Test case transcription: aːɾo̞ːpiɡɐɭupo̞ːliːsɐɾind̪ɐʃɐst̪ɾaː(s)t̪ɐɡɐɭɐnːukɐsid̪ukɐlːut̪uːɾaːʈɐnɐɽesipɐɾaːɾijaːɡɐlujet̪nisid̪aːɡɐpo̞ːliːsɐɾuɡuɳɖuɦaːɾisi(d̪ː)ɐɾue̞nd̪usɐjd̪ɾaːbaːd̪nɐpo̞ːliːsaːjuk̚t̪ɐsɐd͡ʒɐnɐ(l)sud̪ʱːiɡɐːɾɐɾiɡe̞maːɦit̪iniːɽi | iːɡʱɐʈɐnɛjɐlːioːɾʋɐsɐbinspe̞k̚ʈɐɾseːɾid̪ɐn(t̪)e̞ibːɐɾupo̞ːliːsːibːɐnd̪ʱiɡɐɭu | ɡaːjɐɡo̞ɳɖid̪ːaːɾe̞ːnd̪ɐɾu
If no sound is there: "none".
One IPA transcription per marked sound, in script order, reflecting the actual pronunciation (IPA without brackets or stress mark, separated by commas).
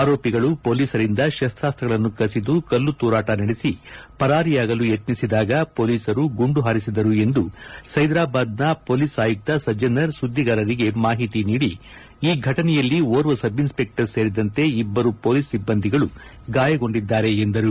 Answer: s, d̪, ɾ, t̪